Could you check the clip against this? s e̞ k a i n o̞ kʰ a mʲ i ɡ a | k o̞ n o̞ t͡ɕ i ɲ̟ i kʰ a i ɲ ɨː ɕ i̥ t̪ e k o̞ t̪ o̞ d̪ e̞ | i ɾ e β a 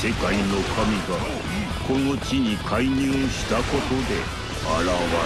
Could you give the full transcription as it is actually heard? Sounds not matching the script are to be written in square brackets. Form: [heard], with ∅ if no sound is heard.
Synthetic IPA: s e̞ k a i n o̞ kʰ a mʲ i ɡ a | k o̞ n o̞ t͡ɕ i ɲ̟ i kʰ a i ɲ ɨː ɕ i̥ t̪ [a] k o̞ t̪ o̞ d̪ e̞ | [a] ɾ [a] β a

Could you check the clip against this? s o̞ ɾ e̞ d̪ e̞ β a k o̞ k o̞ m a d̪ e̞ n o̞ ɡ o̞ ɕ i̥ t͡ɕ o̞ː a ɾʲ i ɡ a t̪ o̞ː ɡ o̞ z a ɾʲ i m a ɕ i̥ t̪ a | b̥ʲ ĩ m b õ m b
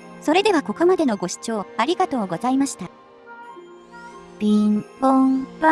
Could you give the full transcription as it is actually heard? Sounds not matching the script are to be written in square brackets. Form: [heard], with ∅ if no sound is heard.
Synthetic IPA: s o̞ ɾ e̞ d̪ e̞ β a k o̞ k o̞ m a d̪ e̞ n o̞ ɡ o̞ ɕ i̥ t͡ɕ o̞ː a ɾʲ i ɡ a t̪ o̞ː ɡ o̞ z a [∅] i m a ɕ i̥ t̪ a | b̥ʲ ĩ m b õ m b

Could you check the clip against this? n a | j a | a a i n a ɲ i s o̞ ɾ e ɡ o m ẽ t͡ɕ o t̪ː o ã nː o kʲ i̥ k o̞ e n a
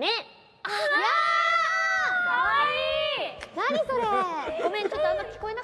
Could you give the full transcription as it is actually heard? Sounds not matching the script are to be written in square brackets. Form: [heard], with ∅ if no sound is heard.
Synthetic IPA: n [e] | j a | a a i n a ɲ i s o̞ ɾ e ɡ o m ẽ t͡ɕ o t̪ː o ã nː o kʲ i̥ k o̞ e n a

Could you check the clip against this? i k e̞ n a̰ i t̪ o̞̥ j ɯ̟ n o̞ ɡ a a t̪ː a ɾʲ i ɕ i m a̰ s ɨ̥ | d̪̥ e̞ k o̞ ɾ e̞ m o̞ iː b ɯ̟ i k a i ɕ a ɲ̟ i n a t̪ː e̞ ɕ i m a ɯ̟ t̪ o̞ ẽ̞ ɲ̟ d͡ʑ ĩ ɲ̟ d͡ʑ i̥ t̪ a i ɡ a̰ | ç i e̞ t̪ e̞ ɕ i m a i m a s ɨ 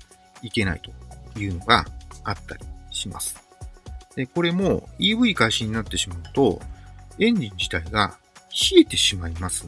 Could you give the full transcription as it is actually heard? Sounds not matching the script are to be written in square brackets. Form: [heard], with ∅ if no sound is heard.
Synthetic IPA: i k e̞ n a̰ i t̪ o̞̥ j [ɯ̟ː] n o̞ ɡ a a t̪ː a ɾʲ i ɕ i m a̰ s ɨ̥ | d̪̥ e̞ k o̞ ɾ e̞ m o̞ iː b ɯ̟ i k a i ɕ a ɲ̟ i n a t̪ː e̞ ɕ i m a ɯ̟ t̪ o̞ ẽ̞ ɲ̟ d͡ʑ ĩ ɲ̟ d͡ʑ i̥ t̪ a i ɡ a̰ | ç i e̞ t̪ e̞ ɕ i m a i m a s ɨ

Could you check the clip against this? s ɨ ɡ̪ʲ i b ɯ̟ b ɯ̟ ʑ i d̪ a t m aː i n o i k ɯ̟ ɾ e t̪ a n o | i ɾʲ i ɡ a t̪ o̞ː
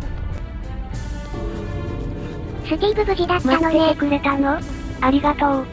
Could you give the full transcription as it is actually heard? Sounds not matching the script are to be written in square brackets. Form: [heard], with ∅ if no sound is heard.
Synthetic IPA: s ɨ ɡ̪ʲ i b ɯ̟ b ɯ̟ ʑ i d̪ a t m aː [a] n o [e] k ɯ̟ ɾ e t̪ a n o | [a] ɾʲ i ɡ a t̪ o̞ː

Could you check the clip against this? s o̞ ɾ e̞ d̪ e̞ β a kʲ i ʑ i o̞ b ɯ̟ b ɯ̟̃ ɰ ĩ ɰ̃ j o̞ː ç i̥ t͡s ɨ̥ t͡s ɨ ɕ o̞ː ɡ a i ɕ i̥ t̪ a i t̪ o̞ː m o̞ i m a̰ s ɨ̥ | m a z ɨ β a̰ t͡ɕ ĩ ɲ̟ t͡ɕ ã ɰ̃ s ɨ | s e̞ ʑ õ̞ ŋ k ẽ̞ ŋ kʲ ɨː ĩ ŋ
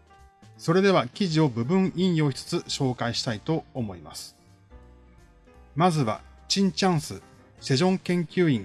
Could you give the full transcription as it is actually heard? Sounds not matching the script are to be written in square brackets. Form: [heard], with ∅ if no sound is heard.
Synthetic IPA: s o̞ ɾ e̞ d̪ e̞ β a kʲ i ʑ i o̞ b ɯ̟ b ɯ̟̃ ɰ ĩ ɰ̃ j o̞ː ç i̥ t͡s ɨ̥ t͡s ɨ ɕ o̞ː [k] a i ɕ i̥ t̪ a i t̪ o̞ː m o̞ i m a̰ s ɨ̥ | m a z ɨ β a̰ t͡ɕ ĩ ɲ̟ t͡ɕ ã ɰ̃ s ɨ | s e̞ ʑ õ̞ ŋ k ẽ̞ ŋ kʲ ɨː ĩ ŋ

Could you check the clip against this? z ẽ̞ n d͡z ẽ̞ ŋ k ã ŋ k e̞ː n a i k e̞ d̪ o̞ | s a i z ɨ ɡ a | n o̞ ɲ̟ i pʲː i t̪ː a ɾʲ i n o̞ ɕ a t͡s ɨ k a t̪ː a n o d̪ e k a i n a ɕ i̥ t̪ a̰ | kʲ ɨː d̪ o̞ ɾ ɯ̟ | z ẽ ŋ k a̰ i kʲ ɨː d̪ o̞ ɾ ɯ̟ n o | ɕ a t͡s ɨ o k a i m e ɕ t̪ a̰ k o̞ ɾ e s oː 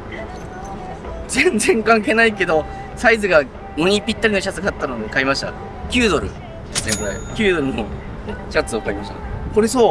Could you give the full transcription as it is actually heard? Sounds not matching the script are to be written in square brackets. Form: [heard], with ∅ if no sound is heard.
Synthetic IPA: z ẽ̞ n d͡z ẽ̞ ŋ k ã ŋ k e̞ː n a i k e̞ d̪ o̞ | s a i z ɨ ɡ a | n o̞ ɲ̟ i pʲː i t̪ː a ɾʲ i n o̞ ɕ a t͡s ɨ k a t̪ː a n o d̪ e k a i [m] a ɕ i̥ t̪ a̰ | kʲ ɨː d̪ o̞ ɾ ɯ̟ | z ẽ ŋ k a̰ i kʲ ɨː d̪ o̞ ɾ ɯ̟ n o | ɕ a t͡s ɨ o k a i m [a] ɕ t̪ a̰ k o̞ ɾ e s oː

